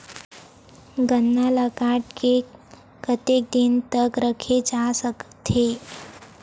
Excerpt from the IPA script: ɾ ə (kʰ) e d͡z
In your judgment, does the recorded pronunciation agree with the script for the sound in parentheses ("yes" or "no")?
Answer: yes